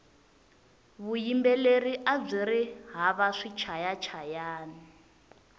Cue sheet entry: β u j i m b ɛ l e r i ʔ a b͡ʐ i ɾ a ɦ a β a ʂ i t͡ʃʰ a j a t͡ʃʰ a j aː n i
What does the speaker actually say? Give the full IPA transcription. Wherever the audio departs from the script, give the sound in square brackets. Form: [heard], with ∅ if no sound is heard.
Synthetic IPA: β u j i m b ɛ l e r i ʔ a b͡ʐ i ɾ [i] ɦ a β a ʂ i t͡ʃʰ a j a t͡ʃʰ a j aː n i